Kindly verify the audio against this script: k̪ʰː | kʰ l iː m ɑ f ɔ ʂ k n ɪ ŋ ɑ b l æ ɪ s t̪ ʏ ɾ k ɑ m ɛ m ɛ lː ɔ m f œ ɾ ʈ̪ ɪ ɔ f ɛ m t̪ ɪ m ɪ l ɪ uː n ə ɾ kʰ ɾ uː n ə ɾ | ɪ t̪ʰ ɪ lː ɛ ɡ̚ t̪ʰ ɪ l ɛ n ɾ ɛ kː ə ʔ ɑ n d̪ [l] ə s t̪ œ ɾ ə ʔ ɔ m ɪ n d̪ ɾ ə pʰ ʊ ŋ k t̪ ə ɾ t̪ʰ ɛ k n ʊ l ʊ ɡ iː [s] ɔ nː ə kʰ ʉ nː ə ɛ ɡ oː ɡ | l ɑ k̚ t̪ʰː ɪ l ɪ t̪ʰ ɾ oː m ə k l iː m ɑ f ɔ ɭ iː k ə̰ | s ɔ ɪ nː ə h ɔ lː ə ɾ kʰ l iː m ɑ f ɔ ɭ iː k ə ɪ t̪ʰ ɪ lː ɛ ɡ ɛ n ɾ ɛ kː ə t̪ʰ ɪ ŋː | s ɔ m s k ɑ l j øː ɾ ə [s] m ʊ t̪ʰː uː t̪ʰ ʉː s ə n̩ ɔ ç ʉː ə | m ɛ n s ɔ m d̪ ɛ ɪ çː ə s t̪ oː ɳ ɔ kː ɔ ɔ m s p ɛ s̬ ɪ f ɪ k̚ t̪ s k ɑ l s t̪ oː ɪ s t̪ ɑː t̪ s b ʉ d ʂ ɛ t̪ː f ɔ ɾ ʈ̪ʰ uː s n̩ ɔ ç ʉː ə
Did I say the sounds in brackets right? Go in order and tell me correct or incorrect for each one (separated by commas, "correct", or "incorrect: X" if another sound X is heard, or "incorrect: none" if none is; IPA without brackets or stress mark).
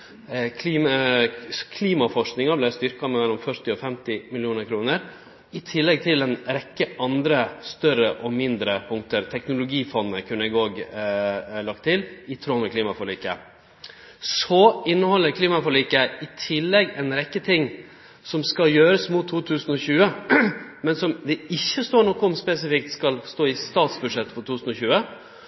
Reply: incorrect: ɾ, incorrect: f, correct